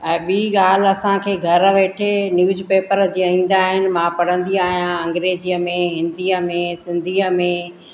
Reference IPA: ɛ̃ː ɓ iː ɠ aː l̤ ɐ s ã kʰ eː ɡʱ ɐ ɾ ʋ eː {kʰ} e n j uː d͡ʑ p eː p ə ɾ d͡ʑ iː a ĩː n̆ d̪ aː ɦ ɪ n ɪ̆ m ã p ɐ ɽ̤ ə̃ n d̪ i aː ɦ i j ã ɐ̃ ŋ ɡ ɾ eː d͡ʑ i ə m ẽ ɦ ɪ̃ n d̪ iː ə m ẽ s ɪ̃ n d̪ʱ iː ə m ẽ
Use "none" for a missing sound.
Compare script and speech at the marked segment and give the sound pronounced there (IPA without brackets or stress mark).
ʈʰ